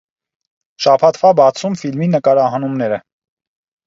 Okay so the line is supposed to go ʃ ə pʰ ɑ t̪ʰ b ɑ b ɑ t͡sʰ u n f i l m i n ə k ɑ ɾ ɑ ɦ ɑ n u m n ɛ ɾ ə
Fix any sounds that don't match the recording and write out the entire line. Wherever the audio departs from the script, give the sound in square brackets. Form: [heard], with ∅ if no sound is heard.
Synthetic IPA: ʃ [ɑ] pʰ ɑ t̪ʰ [v] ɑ b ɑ t͡sʰ u [m] f i l m i n ə k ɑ ɾ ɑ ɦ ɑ n u m n ɛ ɾ ə